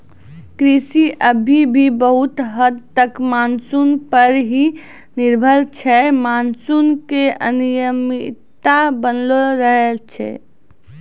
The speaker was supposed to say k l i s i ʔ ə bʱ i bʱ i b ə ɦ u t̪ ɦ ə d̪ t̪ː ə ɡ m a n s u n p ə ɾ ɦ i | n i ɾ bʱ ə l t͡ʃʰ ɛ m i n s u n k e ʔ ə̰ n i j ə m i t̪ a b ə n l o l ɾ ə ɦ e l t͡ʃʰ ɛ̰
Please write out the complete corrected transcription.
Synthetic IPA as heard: k ɾ i s i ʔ ə bʱ i bʱ i b ə ɦ u t̪ ɦ ə d̪ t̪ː ə k m a n s u n p ə ɾ ɦ i | n i ɾ bʱ ə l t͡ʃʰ ɛ m a n s u n k e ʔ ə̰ n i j ə m i t̪ a b ə n l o ɾ ə ɦ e l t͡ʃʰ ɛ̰

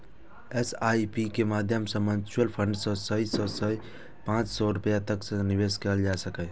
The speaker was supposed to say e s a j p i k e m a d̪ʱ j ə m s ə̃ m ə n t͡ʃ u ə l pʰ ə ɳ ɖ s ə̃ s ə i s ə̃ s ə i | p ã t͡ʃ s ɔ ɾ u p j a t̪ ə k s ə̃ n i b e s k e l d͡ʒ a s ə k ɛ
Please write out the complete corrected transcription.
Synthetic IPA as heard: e s a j p i k e m a d̪ʱ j ə m s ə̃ m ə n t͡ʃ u ə l pʰ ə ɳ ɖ s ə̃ s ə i s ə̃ s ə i | p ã t͡ʃ s ɔ ɾ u p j a t̪ ə k s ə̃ n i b e s k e l d͡ʒ a s ə k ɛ

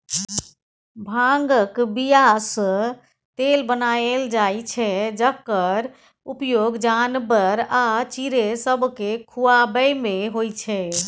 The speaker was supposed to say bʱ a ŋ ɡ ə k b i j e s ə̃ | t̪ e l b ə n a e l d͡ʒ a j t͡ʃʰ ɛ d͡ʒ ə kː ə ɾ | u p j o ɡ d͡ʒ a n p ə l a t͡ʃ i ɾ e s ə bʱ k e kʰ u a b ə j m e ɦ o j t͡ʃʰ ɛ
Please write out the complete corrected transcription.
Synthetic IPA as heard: bʱ a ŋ ɡ ə k b i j a s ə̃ | t̪ e l b ə n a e l d͡ʒ a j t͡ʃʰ ɛ d͡ʒ ə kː ə ɾ | u p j o ɡ d͡ʒ a n b ə ɾ a t͡ʃ i ɾ e s ə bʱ k e kʰ u a b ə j m e ɦ o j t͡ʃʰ ɛ

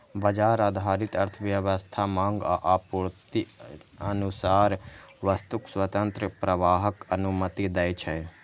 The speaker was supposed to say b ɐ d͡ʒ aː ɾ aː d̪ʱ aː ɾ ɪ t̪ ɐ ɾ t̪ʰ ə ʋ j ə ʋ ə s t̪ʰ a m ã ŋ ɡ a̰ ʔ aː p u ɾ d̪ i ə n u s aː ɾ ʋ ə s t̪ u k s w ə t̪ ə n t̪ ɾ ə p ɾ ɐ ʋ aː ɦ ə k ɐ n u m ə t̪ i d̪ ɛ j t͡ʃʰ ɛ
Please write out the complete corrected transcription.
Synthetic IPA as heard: b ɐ d͡ʒ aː ɾ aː d̪ʱ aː ɾ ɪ t̪ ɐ ɾ t̪ʰ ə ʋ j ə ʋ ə s t̪ʰ a m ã ŋ ɡ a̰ ʔ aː p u ɾ t̪ i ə n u s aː ɾ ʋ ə s t̪ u k s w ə t̪ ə n t̪ ɾ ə p ɾ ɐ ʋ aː ɦ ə k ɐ n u m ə t̪ i d̪ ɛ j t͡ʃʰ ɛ

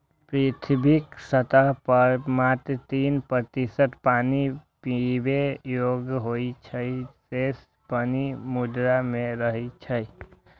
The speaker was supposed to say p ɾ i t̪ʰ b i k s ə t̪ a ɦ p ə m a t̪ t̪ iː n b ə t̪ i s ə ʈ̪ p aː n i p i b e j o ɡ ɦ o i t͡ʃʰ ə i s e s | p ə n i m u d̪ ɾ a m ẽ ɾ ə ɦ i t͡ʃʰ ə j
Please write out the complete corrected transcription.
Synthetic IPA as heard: p ɾ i t̪ʰ b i k s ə t̪ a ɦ p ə m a t̪ t̪ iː n p ə t̪ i s ə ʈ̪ p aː n i p i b e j o ɡ ɦ o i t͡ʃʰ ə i s e s | p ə n i m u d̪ ɾ a m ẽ ɾ ə ɦ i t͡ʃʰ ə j

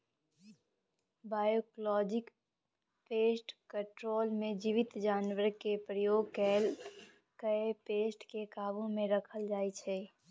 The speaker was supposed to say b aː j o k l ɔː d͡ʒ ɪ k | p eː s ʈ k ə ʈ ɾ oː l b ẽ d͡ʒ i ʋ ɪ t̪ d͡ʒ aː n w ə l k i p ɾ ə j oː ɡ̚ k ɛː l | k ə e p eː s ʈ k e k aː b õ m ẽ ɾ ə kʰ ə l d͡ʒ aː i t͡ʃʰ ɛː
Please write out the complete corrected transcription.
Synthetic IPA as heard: b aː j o k l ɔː d͡ʒ ɪ k | p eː s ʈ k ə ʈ ɾ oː l m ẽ d͡ʒ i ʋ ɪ t̪ d͡ʒ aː n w ə ɾ k e p ɾ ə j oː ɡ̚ k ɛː l | k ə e p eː s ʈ k e k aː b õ m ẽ ɾ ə kʰ ə l d͡ʒ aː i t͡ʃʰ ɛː

